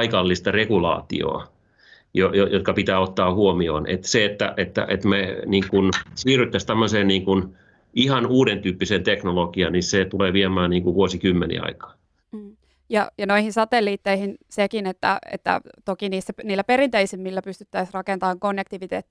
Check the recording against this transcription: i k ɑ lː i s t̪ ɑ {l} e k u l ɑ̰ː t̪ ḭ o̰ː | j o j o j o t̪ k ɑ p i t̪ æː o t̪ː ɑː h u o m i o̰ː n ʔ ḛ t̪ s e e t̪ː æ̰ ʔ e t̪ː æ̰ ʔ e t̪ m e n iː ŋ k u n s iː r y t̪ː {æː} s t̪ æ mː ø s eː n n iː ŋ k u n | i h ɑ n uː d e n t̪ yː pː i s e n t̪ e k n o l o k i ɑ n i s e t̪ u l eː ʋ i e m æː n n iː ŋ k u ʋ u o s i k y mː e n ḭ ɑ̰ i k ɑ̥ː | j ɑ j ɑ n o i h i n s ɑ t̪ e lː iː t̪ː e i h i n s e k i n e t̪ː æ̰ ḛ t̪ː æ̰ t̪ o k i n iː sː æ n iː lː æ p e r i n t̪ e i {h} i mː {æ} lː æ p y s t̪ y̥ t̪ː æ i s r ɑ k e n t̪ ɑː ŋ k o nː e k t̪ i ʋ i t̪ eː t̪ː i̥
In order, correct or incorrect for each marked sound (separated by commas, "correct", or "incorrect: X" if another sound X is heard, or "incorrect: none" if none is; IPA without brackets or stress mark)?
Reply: incorrect: r, incorrect: æ, incorrect: s, incorrect: i